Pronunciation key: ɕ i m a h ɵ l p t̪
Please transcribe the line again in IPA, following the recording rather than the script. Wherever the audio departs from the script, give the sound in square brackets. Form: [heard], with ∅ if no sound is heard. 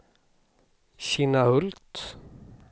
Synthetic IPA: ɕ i [n] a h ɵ l [t] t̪